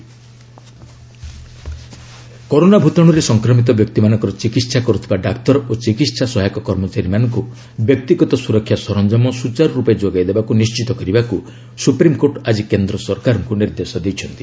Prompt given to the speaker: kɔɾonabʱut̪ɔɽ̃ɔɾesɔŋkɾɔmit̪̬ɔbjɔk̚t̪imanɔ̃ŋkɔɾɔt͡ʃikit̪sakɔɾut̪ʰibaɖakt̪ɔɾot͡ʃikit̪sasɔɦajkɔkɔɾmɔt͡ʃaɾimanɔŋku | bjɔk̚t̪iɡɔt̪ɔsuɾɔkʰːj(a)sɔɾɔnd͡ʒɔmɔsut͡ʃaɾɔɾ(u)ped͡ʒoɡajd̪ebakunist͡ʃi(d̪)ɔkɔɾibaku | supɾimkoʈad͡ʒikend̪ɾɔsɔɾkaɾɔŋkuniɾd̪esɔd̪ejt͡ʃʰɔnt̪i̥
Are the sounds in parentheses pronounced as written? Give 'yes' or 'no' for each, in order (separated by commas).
yes, yes, no